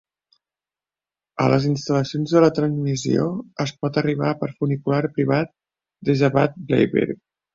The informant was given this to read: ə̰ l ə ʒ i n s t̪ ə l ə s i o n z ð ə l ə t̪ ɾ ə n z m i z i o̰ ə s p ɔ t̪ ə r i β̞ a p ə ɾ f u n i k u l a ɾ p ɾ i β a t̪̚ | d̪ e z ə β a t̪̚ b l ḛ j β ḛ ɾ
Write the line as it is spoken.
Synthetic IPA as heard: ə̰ l ə z i n s t̪ ə l ə s i o n z ð ə l ə t̪ ɾ ə n z m i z i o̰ ə s p ɔ t̪ ə r i β̞ a p ə ɾ f u n i k u l a ɾ p ɾ i β a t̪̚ | d̪ e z ə β a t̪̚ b l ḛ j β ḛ ɾ